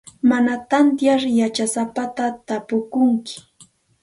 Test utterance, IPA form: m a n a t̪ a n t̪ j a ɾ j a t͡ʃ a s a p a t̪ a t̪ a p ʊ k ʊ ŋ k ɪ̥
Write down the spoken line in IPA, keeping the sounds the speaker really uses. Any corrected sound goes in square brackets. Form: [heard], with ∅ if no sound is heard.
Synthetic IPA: m a n a t̪ a n t̪ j a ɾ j a t͡ʃ a s a p a t̪ a t̪ a p ʊ k ʊ ŋ k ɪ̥